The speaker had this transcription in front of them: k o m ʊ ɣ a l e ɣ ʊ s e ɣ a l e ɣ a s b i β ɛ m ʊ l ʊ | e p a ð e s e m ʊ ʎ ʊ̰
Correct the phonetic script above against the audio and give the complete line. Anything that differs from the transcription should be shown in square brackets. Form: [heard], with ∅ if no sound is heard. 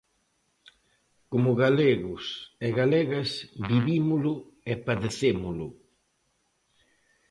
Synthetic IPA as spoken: k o m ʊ ɣ a l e ɣ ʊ s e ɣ a l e ɣ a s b i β [i] m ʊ l ʊ | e p a ð e [θ] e m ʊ [l] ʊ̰